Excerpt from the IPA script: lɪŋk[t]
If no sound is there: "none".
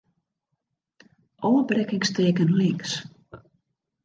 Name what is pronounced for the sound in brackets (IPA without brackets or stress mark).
s